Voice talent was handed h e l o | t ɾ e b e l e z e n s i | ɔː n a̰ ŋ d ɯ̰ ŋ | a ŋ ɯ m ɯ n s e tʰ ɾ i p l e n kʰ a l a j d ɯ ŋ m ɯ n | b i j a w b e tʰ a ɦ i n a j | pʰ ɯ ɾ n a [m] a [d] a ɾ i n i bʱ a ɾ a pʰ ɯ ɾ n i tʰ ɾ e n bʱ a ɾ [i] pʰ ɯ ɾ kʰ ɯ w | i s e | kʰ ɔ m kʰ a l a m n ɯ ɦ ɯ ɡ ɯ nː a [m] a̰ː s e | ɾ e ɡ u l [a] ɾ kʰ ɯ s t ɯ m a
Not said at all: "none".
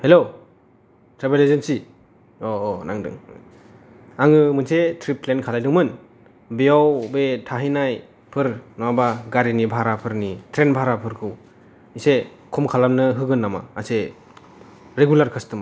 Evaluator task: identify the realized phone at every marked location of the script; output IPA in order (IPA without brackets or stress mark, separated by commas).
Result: b, ɡ, a, m, a